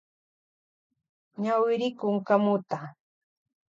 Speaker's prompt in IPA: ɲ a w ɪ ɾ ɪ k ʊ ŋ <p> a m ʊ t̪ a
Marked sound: incorrect: k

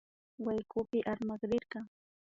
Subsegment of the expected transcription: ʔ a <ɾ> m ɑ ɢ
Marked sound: correct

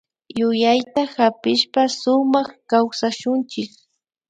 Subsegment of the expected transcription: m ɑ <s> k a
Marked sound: incorrect: χ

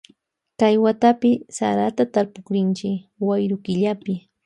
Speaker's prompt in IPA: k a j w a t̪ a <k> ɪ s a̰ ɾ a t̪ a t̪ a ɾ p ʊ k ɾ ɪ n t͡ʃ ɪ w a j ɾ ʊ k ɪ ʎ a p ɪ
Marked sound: incorrect: p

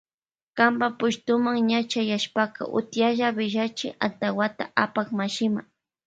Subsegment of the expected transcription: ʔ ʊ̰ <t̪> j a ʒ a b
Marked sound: correct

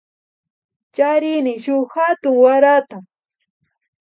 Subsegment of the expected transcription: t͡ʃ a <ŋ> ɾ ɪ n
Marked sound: incorrect: none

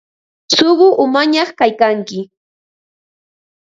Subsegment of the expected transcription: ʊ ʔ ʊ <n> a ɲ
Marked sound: incorrect: m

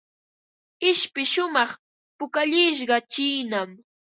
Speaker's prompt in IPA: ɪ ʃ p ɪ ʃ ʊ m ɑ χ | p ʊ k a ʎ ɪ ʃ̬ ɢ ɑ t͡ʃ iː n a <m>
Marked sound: correct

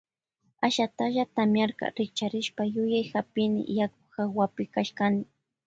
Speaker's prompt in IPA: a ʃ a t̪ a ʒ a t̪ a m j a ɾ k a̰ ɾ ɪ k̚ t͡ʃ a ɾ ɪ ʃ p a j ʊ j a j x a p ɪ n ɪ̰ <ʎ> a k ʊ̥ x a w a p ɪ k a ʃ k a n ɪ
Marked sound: incorrect: j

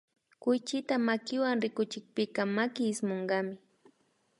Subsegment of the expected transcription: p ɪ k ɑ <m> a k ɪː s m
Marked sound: correct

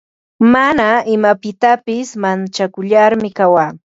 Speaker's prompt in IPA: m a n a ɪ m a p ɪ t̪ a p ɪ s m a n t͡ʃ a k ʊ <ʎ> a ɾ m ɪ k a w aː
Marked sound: correct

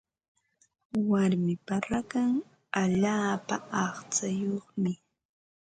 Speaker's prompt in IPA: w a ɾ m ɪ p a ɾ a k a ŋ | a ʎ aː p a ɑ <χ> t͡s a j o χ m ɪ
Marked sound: correct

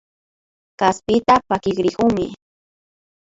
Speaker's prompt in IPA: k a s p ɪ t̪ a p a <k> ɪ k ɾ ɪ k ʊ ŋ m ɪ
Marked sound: correct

